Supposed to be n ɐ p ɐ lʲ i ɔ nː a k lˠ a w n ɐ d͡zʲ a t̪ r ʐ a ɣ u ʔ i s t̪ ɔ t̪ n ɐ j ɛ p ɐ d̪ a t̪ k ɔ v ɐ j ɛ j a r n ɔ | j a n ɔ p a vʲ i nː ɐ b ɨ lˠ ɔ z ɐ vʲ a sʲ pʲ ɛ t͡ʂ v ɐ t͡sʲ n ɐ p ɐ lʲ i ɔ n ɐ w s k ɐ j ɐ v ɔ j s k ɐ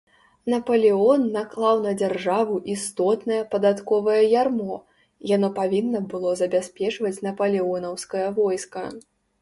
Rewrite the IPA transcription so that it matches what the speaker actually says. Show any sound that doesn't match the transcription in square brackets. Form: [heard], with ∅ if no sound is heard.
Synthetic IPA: n ɐ p ɐ lʲ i ɔ nː a k lˠ a w n ɐ d͡zʲ a [∅] r ʐ a [v] u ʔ i s t̪ ɔ t̪ n ɐ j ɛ p ɐ d̪ a t̪ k ɔ v ɐ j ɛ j a r [m] ɔ | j a n ɔ p a vʲ i nː ɐ b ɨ lˠ ɔ z ɐ [bʲ] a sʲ pʲ ɛ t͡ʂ v ɐ t͡sʲ n ɐ p ɐ lʲ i ɔ n ɐ w s k ɐ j ɐ v ɔ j s k ɐ